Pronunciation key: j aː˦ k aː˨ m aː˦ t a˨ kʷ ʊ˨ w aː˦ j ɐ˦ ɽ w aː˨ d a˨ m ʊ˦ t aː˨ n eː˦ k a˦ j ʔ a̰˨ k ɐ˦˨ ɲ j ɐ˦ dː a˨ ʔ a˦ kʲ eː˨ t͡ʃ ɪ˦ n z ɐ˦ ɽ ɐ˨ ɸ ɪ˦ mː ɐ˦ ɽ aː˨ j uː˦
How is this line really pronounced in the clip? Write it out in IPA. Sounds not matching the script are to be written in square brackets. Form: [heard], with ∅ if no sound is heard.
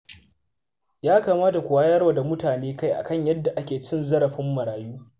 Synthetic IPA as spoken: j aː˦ k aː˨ m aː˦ t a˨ kʷ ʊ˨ w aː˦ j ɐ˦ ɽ w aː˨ d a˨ m ʊ˦ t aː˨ n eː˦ k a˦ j ʔ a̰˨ k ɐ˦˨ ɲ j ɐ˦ dː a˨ ʔ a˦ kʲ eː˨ t͡ʃ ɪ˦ n z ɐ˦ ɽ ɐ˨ ɸ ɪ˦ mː [ɐ˨] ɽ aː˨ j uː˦